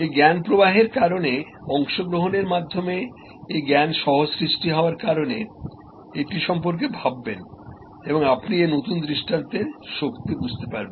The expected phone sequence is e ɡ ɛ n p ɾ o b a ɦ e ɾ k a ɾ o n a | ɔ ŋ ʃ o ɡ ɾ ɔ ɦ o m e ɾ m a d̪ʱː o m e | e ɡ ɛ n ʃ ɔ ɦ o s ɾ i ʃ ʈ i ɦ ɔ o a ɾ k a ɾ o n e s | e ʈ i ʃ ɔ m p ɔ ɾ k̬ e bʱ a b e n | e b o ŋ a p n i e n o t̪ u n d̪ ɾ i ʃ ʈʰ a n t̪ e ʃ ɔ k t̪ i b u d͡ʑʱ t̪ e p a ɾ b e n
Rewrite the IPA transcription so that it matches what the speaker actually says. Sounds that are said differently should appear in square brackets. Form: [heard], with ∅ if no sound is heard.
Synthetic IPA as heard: e ɡ ɛ n p ɾ o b a ɦ e ɾ k a ɾ o n [e] | ɔ ŋ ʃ o ɡ ɾ [o] ɦ o [n] e ɾ m a d̪ʱː o m e | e ɡ ɛ n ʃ ɔ ɦ o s ɾ i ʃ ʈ i ɦ ɔ o a ɾ k a ɾ o n e [∅] | e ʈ i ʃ ɔ m p [o] ɾ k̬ e bʱ a [bː] e n | e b o ŋ a p n i e n o t̪ u n d̪ ɾ i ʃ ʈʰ a n t̪ e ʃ [o] k t̪ i b u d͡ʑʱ t̪ e p a ɾ b e n